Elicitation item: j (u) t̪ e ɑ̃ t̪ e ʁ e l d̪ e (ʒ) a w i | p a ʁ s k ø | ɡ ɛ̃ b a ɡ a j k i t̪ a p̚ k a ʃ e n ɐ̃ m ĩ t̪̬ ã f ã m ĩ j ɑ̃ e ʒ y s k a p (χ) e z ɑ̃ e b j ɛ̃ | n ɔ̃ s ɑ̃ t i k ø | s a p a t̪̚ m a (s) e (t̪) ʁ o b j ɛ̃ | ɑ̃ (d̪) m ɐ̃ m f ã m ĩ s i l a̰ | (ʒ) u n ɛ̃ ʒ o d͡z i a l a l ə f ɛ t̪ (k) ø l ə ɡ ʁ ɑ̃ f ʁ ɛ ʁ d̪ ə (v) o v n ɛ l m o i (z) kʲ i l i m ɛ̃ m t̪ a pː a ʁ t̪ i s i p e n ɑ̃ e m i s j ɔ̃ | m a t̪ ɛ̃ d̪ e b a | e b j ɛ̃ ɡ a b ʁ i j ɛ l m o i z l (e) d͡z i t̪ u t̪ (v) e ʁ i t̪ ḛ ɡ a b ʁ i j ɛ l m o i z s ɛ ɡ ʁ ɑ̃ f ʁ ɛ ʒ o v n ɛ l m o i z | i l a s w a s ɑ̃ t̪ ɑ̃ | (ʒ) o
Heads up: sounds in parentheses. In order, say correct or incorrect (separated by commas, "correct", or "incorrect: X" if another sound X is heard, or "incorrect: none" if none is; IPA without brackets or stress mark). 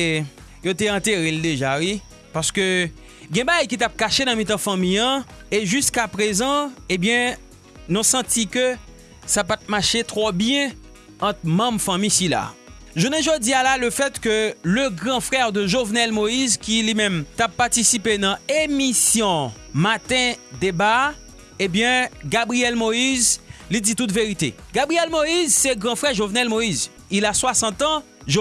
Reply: incorrect: o, correct, incorrect: ʁ, incorrect: ʃ, correct, incorrect: t̪, correct, correct, incorrect: ʒ, correct, incorrect: i, correct, correct